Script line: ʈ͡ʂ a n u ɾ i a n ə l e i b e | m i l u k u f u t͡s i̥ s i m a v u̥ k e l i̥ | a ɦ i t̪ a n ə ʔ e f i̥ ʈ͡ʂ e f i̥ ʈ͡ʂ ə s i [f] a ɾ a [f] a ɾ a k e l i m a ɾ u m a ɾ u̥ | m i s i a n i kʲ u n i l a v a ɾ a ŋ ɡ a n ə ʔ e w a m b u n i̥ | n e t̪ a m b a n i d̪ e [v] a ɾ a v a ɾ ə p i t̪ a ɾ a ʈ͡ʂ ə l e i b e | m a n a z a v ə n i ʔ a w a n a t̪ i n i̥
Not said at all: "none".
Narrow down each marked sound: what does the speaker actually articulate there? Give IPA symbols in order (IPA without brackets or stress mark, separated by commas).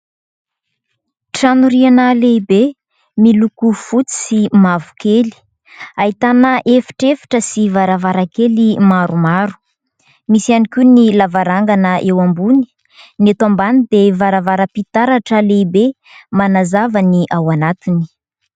v, v, v